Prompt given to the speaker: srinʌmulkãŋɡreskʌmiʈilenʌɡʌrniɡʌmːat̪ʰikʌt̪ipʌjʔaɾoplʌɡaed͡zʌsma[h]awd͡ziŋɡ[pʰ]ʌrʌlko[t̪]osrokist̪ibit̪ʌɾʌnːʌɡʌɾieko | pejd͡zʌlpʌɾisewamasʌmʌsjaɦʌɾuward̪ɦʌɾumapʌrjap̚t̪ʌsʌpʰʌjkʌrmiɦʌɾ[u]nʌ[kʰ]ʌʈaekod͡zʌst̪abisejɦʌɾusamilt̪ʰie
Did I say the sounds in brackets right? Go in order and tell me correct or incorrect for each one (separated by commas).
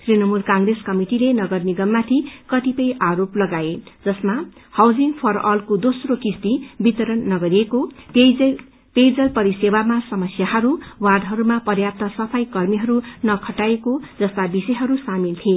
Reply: correct, correct, incorrect, correct, correct